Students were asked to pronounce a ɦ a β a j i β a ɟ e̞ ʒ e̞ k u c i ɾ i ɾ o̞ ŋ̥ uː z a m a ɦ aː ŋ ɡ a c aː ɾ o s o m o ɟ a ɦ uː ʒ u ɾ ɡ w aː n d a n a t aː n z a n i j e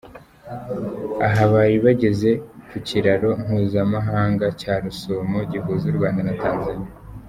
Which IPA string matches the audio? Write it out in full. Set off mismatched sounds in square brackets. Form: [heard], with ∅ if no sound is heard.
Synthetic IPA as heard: a ɦ a β a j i β a ɟ e̞ [z] e̞ k u c i ɾ [a] ɾ o̞ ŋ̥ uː z a m a ɦ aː ŋ ɡ a c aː ɾ [u] s o m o ɟ [i] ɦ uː [z] u ɾ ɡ w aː n d a n a t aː n z a n i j [a]